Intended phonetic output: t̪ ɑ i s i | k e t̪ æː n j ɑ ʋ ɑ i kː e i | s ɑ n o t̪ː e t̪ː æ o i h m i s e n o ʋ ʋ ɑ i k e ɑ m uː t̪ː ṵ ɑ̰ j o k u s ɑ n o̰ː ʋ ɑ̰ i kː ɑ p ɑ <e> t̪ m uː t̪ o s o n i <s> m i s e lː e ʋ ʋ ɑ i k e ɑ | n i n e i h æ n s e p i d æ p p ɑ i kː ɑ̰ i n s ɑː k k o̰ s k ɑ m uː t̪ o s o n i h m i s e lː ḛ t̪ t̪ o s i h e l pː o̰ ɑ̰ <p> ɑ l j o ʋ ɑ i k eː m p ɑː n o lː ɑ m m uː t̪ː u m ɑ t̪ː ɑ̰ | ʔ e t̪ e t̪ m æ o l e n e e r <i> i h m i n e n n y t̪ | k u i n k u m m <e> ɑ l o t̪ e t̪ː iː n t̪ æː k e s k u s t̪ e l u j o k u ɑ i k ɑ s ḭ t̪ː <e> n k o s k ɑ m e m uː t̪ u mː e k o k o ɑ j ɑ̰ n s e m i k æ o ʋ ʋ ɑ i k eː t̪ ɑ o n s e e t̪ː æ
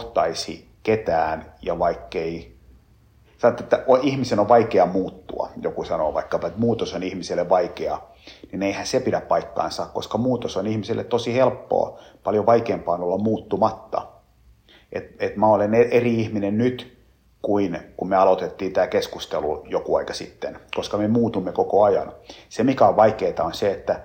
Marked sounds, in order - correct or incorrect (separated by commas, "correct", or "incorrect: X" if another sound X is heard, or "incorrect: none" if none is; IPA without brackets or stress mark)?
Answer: correct, incorrect: h, correct, correct, correct, correct